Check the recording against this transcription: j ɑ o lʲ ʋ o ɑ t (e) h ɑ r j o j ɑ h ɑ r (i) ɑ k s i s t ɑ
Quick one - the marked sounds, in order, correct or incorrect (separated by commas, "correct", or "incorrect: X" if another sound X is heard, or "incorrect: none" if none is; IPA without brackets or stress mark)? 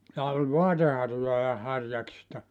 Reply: correct, incorrect: j